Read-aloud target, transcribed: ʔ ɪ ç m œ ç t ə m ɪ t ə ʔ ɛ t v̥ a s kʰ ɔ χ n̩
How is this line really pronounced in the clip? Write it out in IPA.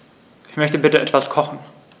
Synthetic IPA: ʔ ɪ ç m œ ç t ə b ɪ t ə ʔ ɛ t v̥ a s kʰ ɔ χ n̩